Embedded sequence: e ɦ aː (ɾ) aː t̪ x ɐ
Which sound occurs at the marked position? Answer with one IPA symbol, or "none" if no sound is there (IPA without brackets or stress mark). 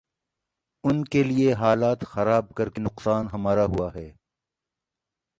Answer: l